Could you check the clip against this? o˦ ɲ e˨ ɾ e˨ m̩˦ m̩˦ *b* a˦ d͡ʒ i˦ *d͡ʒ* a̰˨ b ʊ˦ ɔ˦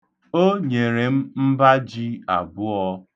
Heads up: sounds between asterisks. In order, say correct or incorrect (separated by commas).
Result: correct, incorrect